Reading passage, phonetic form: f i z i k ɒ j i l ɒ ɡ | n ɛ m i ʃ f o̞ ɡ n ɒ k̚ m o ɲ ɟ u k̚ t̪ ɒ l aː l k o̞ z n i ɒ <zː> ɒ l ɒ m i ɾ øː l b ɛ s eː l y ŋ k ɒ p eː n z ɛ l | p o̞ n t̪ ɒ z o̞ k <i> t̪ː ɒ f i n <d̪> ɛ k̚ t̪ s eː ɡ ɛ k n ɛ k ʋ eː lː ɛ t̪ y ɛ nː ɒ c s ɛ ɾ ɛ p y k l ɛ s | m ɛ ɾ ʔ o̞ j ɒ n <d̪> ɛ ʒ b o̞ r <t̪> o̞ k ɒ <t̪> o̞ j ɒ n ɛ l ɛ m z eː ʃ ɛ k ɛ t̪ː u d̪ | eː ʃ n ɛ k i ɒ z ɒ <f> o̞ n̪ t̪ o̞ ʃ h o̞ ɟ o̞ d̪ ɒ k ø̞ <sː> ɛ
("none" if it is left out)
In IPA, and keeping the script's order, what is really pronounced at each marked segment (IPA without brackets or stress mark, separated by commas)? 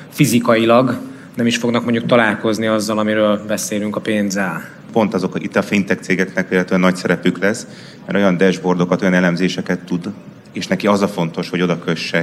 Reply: zː, i, t̪, d̪, d̪, t̪, f, ʃː